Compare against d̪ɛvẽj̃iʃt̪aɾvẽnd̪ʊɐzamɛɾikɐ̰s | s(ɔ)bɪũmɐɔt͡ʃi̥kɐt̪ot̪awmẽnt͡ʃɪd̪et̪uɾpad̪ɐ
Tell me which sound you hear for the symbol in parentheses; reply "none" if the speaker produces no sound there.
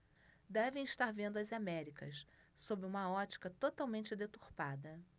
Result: o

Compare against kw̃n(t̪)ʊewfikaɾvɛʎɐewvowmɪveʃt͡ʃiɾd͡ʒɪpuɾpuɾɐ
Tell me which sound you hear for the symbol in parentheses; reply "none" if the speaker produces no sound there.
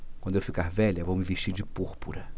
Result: d̪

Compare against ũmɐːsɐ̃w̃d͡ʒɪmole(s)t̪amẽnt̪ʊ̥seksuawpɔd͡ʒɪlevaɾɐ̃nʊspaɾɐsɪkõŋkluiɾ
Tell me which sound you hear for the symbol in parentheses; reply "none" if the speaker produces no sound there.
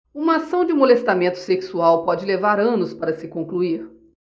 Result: s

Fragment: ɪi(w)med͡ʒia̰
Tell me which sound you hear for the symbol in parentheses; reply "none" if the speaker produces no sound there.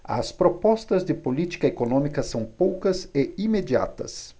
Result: none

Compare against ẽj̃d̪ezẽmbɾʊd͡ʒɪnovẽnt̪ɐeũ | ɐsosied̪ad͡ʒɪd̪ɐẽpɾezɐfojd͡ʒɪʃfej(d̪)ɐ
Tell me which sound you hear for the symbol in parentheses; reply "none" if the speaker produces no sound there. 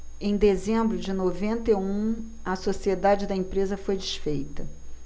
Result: t̪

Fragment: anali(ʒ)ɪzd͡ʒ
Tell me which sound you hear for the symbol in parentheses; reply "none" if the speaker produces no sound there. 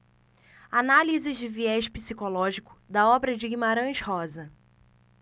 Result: z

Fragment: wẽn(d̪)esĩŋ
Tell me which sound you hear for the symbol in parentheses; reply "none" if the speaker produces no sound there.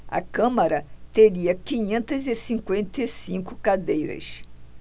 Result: t̪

